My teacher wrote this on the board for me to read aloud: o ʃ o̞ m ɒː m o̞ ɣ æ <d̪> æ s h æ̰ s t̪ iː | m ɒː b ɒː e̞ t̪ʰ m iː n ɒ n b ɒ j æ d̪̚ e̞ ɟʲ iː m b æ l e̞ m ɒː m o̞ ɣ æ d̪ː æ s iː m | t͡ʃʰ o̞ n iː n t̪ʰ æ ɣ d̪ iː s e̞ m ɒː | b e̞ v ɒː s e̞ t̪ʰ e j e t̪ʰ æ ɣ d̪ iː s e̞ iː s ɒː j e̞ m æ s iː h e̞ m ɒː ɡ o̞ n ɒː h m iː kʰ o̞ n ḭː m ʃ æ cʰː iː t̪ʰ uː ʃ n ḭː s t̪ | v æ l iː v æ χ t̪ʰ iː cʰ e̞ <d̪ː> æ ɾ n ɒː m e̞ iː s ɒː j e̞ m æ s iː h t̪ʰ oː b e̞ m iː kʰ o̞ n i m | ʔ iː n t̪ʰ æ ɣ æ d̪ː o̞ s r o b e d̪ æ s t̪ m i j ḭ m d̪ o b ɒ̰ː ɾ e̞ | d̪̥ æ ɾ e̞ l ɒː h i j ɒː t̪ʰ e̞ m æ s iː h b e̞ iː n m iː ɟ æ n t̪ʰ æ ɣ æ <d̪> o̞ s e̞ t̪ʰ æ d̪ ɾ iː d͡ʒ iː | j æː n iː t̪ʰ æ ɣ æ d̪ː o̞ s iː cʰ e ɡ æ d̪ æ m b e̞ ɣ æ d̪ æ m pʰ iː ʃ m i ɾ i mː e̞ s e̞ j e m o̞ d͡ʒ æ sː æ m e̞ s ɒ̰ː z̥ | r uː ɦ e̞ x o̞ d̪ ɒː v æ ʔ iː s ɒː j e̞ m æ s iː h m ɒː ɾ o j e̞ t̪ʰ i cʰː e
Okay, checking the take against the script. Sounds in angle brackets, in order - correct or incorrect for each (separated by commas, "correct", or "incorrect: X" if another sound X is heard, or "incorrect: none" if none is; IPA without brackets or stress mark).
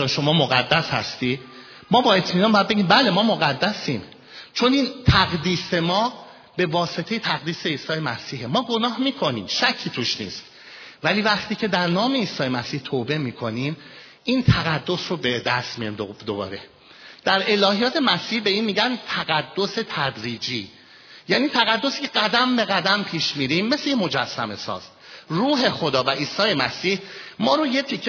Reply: incorrect: d̪ː, incorrect: d̪, incorrect: d̪ː